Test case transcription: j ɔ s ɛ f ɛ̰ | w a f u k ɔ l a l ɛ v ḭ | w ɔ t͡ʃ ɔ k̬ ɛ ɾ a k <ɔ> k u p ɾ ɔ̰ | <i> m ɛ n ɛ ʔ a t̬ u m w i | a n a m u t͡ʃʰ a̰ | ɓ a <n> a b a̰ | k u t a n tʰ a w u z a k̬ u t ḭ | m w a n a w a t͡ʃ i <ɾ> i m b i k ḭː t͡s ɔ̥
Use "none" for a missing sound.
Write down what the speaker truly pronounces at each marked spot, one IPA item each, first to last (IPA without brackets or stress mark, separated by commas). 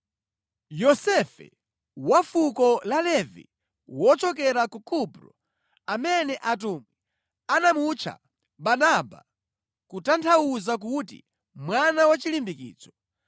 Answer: u, a, n, l